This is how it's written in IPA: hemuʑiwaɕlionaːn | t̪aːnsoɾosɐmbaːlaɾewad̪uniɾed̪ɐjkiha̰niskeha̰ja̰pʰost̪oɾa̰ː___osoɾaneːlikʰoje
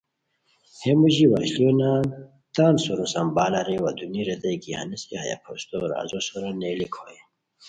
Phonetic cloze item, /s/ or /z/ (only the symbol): z